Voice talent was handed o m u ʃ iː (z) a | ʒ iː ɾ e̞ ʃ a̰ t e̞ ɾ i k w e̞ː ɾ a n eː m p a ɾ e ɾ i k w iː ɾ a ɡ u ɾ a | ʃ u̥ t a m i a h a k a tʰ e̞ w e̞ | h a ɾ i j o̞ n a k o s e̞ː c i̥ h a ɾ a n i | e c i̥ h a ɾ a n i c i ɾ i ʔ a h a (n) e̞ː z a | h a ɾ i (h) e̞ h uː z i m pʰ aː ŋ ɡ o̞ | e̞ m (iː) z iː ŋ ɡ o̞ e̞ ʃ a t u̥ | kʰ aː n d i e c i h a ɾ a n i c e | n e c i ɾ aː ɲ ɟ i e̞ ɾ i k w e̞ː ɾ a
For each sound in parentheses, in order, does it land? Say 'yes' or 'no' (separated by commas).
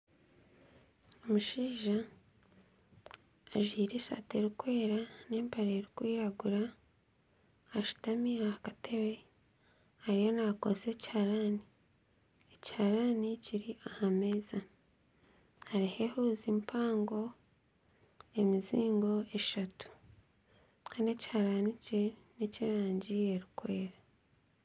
no, no, yes, no